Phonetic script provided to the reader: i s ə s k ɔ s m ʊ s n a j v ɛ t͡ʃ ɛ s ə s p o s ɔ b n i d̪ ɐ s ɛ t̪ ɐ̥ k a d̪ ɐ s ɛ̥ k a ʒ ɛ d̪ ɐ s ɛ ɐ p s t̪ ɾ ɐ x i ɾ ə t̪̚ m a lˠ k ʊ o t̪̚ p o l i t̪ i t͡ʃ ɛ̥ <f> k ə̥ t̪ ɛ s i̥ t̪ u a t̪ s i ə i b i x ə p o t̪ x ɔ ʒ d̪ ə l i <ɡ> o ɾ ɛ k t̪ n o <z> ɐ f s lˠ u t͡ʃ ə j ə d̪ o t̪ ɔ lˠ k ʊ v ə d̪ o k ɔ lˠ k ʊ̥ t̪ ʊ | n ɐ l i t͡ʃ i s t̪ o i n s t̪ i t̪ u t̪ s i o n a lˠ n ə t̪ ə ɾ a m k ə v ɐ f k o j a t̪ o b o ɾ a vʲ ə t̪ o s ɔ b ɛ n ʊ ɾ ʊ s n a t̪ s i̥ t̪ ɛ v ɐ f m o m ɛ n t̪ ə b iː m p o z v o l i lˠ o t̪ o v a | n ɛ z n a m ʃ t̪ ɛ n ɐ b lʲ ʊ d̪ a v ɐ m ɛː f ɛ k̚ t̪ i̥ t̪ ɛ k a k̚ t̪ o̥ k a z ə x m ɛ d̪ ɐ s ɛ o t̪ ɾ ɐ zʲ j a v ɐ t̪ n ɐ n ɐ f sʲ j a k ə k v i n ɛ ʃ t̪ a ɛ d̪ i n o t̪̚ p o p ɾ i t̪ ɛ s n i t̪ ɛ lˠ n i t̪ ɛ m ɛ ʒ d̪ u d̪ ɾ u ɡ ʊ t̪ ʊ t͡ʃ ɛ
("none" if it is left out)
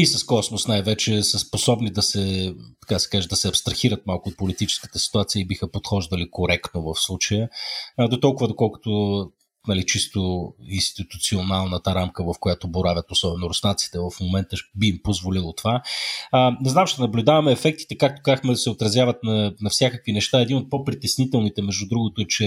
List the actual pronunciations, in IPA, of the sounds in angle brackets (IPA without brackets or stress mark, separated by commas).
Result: s, k, v